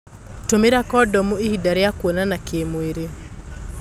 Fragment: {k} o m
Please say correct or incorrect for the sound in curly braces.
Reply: incorrect: t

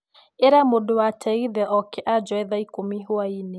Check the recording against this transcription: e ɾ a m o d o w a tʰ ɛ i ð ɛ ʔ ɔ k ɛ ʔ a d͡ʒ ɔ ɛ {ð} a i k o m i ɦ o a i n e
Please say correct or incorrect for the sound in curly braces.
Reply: correct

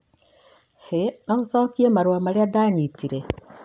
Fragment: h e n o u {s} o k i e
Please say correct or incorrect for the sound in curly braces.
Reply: correct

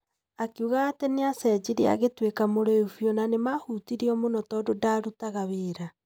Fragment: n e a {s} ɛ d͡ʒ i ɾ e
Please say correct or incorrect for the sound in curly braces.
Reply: correct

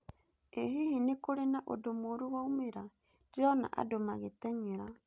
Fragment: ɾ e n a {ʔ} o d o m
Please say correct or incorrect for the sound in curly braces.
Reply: correct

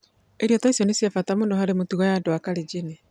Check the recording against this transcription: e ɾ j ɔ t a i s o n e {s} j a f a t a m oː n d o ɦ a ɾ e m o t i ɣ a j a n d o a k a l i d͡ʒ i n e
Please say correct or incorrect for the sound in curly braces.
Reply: correct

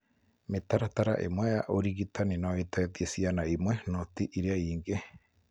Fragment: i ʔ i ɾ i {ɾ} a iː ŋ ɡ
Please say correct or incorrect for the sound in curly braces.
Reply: incorrect: none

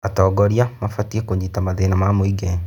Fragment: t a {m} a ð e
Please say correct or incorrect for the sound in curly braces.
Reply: correct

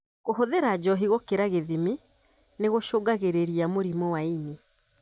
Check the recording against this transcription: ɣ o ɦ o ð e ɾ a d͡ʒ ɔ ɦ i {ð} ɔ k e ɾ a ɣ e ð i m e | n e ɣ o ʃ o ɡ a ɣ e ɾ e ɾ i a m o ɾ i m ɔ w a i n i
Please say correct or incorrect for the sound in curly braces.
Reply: incorrect: ɣ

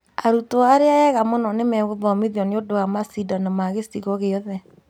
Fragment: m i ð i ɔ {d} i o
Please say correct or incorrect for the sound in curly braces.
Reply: incorrect: n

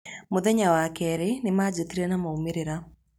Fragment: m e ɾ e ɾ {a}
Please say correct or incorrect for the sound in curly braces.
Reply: correct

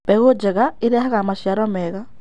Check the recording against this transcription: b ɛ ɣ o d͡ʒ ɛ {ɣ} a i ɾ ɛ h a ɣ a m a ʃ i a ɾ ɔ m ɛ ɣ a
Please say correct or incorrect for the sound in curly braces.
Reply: correct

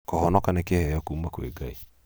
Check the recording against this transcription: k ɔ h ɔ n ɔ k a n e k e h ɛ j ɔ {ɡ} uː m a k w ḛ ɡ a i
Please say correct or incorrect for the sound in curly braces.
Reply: incorrect: k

